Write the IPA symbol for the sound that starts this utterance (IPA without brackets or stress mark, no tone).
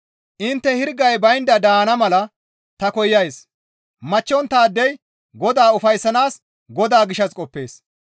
ʔ